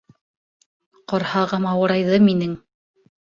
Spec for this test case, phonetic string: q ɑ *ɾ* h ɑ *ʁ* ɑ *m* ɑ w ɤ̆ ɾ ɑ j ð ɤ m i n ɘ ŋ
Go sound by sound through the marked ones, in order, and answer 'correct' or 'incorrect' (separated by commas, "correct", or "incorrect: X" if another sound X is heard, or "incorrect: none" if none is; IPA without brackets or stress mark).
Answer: correct, correct, correct